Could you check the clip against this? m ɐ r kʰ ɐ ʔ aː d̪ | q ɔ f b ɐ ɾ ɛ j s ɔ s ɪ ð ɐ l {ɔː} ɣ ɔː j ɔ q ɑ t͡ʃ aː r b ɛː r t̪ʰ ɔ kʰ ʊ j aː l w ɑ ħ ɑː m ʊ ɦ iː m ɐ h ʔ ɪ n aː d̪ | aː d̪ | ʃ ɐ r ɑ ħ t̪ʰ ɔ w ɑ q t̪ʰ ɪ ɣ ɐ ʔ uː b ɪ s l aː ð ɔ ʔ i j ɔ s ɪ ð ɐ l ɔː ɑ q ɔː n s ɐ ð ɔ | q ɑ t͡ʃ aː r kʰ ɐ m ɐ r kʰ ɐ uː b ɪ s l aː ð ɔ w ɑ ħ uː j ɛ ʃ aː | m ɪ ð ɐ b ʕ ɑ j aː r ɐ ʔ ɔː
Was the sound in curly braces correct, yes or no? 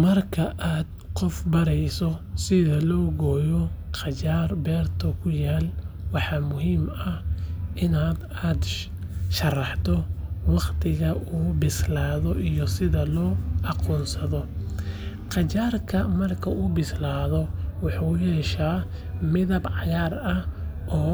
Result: yes